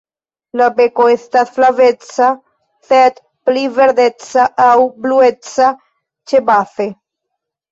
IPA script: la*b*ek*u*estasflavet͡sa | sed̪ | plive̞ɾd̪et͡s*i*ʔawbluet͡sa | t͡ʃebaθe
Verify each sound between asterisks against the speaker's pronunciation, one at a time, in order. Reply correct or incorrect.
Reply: correct, incorrect: o, incorrect: a

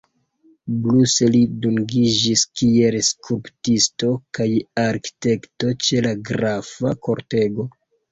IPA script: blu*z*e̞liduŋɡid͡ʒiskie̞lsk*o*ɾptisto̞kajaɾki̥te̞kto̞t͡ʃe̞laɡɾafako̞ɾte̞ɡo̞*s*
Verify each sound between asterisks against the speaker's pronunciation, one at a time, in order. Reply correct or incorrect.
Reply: incorrect: s, incorrect: u, incorrect: none

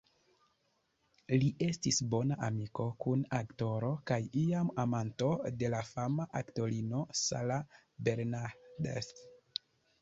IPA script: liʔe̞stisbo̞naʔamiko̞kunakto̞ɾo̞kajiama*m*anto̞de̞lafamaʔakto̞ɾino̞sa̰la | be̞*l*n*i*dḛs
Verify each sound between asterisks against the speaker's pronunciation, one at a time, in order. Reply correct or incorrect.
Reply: correct, incorrect: ɾ, incorrect: a

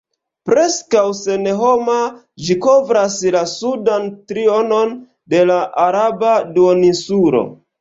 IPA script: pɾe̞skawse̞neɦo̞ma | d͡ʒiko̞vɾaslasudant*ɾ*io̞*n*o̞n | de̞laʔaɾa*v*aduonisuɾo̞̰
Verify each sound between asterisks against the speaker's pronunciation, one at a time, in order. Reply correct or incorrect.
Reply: correct, correct, incorrect: b

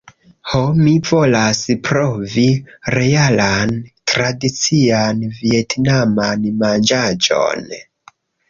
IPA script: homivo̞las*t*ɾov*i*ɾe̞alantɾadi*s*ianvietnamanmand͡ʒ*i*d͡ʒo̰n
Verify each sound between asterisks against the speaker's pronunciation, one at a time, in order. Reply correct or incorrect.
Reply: incorrect: p, correct, incorrect: t͡s, incorrect: a

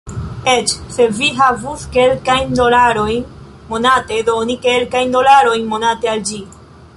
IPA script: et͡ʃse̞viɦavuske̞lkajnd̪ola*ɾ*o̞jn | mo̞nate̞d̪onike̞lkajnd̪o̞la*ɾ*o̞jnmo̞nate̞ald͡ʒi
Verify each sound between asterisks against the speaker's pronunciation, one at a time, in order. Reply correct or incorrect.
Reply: correct, correct

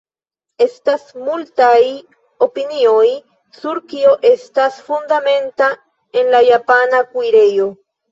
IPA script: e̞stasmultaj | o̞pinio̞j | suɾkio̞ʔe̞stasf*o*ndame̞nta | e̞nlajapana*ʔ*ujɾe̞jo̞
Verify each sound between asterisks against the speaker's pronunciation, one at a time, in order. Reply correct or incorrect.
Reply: incorrect: u, incorrect: k

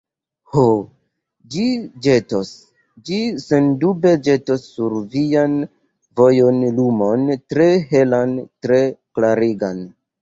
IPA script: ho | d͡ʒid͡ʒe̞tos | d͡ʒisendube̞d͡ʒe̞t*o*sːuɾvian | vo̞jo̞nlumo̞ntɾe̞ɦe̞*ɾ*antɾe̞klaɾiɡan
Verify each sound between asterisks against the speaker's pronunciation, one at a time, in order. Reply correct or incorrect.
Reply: correct, incorrect: l

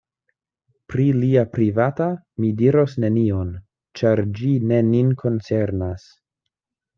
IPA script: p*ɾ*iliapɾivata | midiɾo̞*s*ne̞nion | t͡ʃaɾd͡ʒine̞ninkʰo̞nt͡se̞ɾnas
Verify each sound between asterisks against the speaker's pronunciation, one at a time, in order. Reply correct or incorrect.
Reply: correct, correct

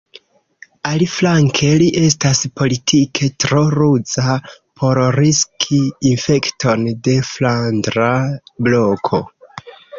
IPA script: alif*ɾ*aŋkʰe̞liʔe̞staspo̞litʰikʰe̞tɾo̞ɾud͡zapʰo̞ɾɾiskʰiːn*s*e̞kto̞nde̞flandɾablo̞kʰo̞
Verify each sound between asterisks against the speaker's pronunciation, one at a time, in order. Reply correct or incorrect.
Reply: incorrect: l, incorrect: f

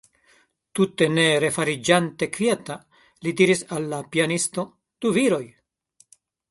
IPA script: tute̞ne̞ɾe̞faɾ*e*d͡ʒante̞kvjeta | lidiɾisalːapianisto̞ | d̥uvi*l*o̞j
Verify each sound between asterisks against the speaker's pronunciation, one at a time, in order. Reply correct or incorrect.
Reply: incorrect: i, incorrect: ɾ

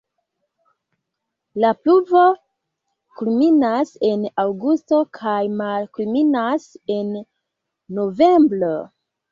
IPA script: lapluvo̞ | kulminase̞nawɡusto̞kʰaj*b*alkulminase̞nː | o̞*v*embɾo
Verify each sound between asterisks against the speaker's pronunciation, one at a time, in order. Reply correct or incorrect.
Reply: incorrect: m, correct

